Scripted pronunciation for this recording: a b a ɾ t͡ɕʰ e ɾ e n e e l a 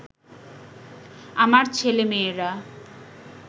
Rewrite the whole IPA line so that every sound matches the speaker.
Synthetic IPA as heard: a m a ɾ t͡ɕʰ e l e m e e ɾ a